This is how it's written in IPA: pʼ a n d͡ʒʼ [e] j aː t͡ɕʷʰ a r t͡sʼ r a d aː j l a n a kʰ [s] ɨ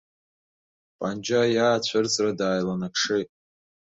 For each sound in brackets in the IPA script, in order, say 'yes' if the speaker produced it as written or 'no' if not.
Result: no, no

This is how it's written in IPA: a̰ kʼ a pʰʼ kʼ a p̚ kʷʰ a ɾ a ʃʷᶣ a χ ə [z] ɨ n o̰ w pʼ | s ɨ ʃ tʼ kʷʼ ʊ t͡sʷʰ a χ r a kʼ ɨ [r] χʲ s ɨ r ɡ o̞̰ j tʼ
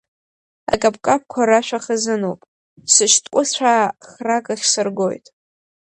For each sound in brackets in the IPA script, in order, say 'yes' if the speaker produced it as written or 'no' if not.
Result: yes, no

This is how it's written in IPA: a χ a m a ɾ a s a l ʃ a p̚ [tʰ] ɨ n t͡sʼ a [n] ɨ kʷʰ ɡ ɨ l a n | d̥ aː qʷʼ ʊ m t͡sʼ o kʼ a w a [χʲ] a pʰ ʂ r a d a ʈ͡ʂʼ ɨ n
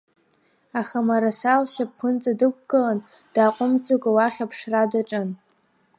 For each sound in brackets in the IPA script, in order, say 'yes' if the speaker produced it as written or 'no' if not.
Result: no, no, yes

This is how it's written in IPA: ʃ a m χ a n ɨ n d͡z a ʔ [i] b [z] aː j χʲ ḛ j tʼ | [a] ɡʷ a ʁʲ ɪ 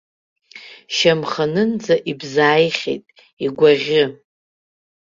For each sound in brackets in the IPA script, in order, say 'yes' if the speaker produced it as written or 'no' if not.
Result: yes, yes, no

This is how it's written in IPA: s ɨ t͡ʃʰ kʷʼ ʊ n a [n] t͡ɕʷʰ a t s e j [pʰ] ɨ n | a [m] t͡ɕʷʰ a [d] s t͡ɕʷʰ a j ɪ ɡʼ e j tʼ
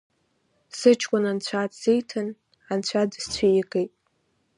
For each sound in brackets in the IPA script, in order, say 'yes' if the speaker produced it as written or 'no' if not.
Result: yes, no, no, yes

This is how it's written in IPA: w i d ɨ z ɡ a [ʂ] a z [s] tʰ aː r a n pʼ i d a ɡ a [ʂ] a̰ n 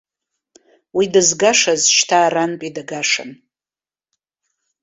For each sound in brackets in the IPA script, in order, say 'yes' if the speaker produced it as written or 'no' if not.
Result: yes, no, yes

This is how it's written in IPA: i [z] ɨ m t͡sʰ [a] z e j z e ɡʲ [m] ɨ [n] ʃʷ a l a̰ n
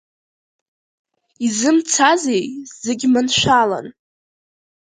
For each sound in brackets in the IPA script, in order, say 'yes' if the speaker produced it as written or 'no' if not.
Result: yes, yes, yes, yes

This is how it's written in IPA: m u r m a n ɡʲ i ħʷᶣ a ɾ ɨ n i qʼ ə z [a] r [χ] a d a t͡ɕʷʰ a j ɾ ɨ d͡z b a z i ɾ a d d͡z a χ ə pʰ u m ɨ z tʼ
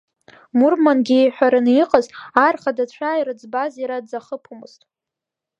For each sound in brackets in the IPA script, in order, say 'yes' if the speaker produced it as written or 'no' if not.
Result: yes, yes

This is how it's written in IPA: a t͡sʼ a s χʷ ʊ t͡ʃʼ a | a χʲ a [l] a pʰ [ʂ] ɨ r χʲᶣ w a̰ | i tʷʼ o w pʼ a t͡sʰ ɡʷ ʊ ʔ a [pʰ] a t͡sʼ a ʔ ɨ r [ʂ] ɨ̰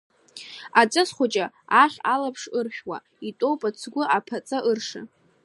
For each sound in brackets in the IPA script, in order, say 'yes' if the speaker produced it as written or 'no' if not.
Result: yes, yes, yes, yes

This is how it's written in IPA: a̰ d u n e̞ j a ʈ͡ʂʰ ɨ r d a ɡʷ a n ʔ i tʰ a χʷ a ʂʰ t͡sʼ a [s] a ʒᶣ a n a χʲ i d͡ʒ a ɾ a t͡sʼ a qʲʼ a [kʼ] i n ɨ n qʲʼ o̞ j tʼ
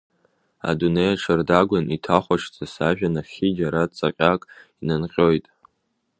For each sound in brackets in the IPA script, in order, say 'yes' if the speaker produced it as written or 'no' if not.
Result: yes, yes

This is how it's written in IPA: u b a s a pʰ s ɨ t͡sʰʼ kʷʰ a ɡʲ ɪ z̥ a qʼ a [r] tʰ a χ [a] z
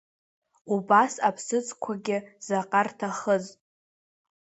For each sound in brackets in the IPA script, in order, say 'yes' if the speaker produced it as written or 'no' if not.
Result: yes, no

